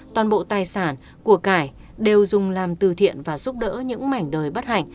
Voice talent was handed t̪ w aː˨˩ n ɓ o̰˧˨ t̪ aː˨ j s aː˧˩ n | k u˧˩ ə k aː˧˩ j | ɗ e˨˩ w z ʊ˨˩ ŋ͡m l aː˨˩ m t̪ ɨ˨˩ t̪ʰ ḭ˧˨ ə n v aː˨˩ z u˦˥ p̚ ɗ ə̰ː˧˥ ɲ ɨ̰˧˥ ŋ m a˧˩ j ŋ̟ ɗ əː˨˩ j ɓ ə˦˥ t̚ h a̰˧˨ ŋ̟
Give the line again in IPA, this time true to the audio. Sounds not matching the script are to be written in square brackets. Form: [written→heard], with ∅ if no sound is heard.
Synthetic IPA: t̪ w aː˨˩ n ɓ o̰˧˨ t̪ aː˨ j s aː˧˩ n | k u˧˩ ə k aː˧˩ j | ɗ e˨˩ w z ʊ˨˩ ŋ͡m l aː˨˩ m t̪ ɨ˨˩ t̪ʰ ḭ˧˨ ə n v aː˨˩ z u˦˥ p̚ ɗ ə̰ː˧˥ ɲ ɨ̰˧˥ ŋ m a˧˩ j ŋ̟ ɗ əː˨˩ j ɓ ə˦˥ t̚ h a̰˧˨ ŋ̟